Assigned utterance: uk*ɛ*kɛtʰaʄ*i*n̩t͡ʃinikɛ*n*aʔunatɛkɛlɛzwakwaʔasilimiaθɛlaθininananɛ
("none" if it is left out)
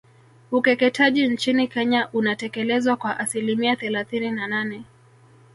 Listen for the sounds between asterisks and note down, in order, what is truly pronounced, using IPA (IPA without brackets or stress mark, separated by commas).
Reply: ɛ, i, ɲ